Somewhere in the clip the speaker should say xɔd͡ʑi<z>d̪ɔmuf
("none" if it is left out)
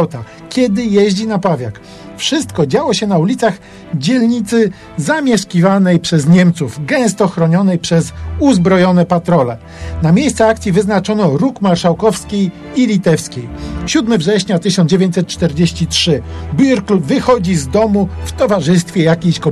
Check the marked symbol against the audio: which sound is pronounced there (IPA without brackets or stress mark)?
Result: z